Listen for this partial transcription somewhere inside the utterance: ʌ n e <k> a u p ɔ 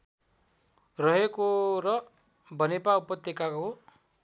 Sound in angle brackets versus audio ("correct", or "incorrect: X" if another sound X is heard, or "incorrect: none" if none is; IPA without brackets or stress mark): incorrect: p